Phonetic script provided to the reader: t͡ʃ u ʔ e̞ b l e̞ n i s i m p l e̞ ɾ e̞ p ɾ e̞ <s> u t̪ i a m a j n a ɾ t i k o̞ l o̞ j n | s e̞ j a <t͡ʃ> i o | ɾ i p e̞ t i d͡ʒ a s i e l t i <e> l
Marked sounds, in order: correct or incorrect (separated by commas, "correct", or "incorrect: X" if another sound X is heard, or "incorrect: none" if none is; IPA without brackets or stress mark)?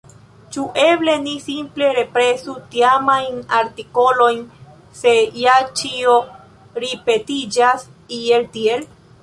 correct, correct, correct